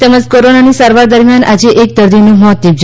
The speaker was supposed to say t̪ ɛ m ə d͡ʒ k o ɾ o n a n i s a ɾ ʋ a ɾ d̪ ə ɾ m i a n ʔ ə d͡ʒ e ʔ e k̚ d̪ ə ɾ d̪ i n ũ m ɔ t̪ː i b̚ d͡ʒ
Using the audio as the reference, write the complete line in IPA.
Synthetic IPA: t̪ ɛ m ə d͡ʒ k o ɾ o n a n i s a ɾ ʋ a ɾ d̪ ə ɾ m j a n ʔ a d͡ʒ e ʔ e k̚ d̪ ə ɾ d̪ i n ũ m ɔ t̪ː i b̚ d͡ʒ